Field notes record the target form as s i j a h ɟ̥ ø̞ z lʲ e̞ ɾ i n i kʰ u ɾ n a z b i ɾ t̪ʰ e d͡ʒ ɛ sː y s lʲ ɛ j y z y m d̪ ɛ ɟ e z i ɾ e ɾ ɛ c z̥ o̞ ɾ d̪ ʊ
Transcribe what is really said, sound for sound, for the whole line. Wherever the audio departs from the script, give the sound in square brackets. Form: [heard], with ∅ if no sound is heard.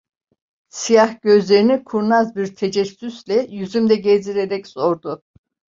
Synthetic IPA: s i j a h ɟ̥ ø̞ z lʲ e̞ ɾ i n i kʰ u ɾ n a z b i ɾ t̪ʰ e d͡ʒ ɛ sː y s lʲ ɛ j y z y m d̪ ɛ ɟ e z i ɾ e ɾ ɛ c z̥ o̞ ɾ d̪ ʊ